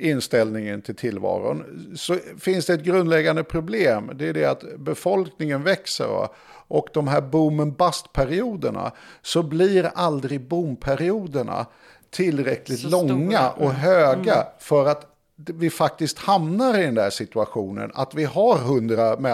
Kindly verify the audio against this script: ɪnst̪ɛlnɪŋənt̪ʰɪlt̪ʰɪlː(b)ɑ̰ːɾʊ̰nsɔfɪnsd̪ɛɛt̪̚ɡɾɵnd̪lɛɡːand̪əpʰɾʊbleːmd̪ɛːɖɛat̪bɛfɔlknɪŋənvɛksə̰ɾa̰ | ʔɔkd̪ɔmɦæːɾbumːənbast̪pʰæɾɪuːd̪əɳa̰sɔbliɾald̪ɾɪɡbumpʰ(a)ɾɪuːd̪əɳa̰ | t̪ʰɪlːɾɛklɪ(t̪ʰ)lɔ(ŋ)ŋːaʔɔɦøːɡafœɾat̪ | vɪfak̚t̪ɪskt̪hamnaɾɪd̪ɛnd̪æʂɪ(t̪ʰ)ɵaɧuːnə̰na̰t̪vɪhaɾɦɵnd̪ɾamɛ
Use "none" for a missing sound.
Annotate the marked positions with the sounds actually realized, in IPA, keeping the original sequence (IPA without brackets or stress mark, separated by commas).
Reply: v, æ, t̪, ŋ, t̪